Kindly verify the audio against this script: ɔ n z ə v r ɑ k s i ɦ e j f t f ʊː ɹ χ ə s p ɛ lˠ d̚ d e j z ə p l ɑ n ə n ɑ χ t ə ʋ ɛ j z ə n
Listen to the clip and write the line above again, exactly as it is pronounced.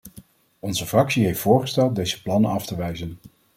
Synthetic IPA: ɔ n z ə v r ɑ k s i ɦ e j f t f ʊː ɹ χ ə s t ɛ lˠ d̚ d e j z ə p l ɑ n ə n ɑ f t ə ʋ ɛ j z ə n